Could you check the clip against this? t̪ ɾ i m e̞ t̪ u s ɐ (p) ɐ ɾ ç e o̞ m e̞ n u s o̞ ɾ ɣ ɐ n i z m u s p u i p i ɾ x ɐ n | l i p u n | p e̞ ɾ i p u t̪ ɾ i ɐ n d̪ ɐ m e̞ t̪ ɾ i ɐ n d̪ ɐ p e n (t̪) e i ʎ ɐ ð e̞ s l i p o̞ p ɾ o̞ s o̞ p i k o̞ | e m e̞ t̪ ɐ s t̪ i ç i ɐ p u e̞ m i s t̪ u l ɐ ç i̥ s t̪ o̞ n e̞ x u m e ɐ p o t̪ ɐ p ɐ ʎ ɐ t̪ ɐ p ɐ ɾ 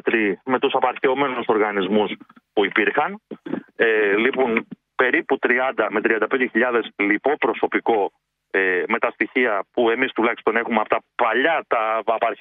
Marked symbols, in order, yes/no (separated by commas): yes, no